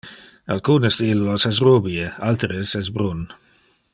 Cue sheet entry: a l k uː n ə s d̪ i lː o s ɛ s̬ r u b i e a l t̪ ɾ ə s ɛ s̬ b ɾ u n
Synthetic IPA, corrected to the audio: a l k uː n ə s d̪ i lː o s ɛ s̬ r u b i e a l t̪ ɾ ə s ɛ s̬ b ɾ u n